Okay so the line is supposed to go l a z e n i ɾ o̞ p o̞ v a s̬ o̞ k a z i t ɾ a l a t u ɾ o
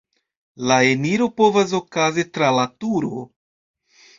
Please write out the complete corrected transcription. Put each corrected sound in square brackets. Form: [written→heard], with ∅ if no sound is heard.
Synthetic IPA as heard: l a [z→∅] e n i ɾ o̞ p o̞ v a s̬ o̞ k a z i t ɾ a l a t u ɾ o